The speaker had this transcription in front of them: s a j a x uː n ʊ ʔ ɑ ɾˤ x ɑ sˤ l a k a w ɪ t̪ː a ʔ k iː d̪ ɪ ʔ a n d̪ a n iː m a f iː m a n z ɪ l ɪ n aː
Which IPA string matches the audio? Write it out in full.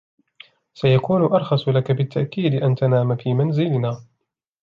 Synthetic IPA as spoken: s a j a k uː n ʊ ʔ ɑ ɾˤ x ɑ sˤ l a k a b ɪ t̪ː a ʔ k iː d̪ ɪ ʔ a n t̪ a n aː m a f iː m a n z ɪ l ɪ n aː